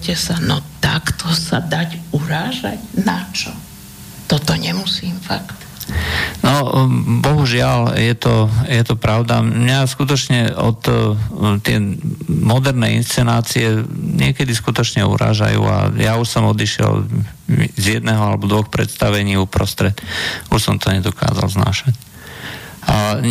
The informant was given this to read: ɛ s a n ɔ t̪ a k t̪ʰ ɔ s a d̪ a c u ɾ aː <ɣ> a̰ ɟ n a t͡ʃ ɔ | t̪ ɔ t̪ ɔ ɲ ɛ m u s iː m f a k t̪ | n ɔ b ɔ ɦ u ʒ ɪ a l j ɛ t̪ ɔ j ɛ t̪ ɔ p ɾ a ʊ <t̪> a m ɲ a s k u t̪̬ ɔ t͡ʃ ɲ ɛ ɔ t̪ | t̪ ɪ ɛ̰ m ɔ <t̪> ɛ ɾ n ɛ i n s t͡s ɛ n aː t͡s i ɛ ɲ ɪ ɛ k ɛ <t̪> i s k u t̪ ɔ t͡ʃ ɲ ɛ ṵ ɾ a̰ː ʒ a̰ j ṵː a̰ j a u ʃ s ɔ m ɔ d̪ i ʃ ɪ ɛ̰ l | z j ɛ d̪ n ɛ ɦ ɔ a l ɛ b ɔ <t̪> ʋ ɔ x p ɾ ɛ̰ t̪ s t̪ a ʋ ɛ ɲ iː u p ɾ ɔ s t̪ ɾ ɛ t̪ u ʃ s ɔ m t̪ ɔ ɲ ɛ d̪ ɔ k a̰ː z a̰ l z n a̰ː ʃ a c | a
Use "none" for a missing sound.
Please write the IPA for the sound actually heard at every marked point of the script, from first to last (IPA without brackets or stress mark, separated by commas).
ʒ, d̪, d̪, d̪, d̪